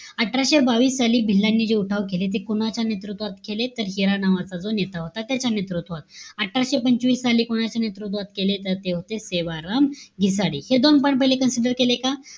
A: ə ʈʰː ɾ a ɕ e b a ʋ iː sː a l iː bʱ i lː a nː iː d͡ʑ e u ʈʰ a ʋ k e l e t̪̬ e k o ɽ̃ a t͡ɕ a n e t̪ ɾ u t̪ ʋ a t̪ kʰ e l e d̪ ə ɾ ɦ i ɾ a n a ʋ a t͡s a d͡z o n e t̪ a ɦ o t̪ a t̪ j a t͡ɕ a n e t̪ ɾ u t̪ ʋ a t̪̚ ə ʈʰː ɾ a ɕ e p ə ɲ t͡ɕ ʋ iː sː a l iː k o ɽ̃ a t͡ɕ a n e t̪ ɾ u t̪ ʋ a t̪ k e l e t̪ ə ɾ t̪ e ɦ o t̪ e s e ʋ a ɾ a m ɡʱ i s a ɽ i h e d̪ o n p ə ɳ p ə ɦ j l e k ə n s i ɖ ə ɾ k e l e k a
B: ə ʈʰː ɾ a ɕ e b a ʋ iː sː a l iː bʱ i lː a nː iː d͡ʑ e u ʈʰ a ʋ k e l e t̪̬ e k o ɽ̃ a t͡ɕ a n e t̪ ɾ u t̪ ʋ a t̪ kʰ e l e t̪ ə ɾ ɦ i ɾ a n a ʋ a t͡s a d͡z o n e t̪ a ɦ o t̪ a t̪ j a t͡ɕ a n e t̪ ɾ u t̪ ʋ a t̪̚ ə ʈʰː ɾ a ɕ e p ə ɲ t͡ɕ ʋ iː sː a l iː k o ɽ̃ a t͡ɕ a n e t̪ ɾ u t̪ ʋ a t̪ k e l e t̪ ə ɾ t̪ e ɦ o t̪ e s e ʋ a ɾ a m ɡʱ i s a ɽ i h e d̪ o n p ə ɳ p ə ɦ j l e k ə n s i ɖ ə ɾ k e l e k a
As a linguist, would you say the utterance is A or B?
B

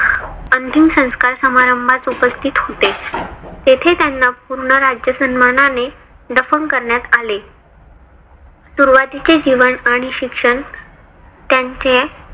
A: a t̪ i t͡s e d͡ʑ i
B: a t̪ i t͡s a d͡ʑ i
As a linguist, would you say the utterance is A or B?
A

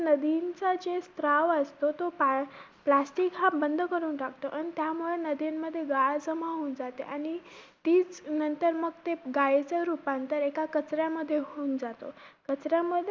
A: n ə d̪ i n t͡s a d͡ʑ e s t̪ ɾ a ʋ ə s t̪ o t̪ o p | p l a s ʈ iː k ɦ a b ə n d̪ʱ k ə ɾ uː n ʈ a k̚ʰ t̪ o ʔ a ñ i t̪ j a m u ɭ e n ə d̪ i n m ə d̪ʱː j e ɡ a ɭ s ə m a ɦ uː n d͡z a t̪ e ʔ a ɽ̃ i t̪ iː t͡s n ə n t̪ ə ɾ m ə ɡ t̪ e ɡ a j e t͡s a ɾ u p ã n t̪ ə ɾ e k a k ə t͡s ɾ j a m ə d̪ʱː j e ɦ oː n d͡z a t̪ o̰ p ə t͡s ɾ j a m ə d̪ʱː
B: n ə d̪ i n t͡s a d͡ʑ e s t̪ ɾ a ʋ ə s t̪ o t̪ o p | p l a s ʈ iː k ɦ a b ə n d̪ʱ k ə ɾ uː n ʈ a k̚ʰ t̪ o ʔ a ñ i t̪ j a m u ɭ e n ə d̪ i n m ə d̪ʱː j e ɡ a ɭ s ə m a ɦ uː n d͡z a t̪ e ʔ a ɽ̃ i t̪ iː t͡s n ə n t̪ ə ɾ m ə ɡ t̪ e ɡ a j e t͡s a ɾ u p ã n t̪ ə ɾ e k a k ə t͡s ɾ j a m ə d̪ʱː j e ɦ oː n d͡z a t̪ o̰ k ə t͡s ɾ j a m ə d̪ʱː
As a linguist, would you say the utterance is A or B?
B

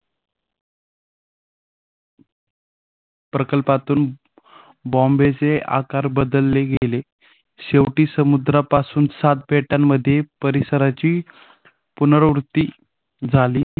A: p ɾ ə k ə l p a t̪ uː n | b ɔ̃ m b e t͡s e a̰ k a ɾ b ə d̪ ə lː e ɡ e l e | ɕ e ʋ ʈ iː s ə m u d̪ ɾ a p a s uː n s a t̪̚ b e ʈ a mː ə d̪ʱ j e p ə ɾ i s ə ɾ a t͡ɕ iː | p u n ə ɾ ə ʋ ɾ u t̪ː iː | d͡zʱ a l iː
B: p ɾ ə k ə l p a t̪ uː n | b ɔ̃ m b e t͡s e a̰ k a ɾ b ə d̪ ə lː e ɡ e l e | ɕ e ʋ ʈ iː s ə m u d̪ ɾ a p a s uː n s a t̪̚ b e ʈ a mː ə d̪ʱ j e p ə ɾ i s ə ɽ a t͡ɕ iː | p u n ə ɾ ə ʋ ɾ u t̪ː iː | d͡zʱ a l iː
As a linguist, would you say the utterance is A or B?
A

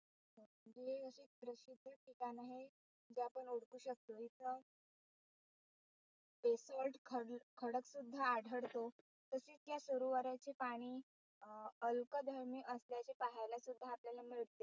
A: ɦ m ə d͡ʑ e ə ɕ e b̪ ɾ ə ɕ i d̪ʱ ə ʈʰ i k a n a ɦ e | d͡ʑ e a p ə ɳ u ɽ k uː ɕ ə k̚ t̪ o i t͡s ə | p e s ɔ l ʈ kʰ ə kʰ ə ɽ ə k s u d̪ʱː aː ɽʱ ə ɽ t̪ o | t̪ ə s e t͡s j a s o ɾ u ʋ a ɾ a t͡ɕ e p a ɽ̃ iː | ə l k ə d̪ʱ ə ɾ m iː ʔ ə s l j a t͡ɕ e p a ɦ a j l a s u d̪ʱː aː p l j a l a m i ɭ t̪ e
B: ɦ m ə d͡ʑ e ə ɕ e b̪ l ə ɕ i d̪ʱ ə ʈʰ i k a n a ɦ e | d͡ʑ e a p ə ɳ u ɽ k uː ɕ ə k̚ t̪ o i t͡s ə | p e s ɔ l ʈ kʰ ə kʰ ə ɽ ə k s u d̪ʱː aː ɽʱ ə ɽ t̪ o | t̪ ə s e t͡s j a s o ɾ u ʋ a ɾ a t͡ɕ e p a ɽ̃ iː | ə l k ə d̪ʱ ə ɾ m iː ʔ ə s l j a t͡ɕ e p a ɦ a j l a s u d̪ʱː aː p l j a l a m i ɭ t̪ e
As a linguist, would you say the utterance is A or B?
A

